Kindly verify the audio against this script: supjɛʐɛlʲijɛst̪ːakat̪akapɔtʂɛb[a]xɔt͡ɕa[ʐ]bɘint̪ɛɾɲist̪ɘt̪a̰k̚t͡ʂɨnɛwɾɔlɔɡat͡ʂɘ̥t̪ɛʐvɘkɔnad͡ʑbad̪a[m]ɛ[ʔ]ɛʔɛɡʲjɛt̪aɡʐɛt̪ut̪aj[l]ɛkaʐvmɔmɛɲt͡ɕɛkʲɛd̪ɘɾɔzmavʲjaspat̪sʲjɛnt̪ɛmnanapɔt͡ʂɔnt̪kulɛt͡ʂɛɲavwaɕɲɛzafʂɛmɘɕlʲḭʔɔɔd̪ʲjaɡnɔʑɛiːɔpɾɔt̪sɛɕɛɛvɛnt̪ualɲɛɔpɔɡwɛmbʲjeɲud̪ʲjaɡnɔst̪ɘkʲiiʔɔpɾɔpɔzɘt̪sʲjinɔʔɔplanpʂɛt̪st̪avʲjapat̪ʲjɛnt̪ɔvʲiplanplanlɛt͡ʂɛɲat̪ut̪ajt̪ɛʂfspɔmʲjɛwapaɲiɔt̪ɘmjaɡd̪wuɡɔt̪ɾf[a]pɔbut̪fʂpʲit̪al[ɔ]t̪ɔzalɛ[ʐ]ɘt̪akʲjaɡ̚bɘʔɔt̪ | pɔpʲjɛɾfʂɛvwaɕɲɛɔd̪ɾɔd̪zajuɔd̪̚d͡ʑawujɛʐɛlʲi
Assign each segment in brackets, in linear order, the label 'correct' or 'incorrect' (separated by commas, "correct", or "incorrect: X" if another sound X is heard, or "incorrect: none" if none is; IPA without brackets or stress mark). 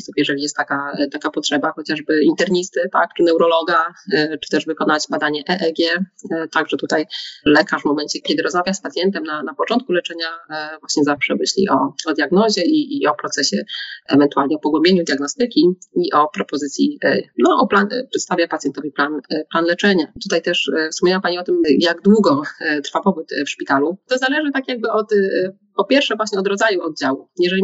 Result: correct, correct, incorrect: ɲ, correct, correct, correct, incorrect: u, correct